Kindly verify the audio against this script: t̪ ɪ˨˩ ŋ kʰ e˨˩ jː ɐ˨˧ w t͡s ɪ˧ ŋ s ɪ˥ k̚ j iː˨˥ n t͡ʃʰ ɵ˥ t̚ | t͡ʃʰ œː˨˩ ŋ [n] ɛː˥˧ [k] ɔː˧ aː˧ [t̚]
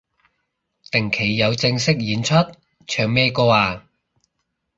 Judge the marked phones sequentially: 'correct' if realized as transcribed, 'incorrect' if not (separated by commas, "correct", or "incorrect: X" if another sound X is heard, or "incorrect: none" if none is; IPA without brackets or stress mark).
incorrect: m, correct, incorrect: none